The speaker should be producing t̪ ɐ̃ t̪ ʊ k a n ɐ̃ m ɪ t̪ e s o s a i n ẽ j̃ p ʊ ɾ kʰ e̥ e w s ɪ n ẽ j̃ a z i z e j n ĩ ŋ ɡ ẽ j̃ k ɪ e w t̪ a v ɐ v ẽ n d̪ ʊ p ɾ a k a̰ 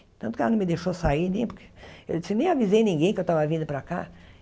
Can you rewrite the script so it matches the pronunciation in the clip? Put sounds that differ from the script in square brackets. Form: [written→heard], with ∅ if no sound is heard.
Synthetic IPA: t̪ ɐ̃ t̪ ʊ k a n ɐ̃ m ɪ [t̪→d̪] e [s→ʃ] o s a i n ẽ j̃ p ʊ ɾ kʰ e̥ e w s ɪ n ẽ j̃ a [z→v] i z e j n ĩ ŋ ɡ ẽ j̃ k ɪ e w t̪ a v ɐ v [ẽ→ĩ] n d̪ ʊ p ɾ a k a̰